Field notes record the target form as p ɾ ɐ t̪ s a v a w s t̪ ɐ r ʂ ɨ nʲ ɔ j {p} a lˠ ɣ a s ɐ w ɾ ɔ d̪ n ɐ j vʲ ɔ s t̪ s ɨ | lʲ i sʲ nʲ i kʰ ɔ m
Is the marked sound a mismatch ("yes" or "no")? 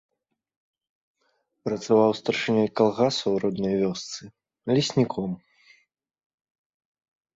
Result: yes